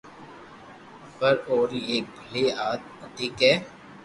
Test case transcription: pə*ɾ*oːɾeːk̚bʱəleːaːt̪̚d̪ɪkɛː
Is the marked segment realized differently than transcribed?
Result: no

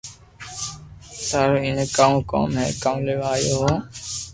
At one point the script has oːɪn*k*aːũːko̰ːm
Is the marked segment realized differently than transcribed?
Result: no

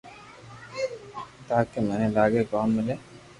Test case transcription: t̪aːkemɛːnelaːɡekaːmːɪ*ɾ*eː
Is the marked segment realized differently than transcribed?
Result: yes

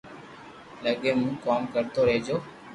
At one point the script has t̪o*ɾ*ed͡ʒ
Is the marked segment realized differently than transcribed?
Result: no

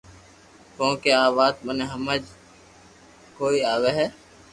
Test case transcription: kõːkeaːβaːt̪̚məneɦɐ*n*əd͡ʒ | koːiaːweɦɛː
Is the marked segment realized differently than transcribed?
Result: yes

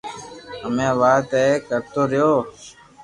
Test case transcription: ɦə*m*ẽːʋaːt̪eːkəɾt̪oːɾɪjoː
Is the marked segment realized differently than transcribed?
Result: no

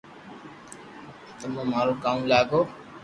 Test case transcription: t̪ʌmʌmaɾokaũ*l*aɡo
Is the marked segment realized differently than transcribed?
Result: no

